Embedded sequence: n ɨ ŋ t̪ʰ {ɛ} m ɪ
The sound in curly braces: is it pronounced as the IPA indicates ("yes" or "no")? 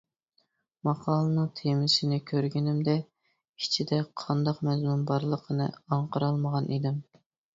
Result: no